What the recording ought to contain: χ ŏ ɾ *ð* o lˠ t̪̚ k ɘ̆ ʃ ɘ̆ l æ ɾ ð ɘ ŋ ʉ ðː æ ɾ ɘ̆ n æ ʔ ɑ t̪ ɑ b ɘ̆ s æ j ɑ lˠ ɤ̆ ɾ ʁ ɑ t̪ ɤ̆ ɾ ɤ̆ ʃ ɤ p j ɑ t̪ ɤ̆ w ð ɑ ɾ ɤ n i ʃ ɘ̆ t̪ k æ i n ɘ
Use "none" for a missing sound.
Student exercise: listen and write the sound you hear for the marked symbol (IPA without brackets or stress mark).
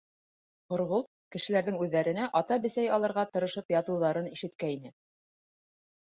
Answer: ʁ